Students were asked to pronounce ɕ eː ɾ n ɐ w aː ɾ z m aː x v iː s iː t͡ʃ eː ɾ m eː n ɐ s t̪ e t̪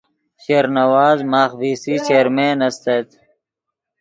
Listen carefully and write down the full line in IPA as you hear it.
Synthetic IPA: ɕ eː ɾ n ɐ w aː z m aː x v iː s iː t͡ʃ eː ɾ m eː n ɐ s t̪ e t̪